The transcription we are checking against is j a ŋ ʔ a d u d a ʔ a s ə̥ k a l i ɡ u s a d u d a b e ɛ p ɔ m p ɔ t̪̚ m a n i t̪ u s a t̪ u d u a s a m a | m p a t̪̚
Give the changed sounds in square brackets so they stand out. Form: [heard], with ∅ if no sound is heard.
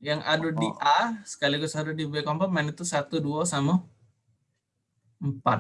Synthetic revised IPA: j a ŋ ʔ a d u d [i] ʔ a s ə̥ k a l i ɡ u s a d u d [i] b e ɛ [k] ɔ m p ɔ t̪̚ m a n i t̪ u s a t̪ u d u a s a m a | m p a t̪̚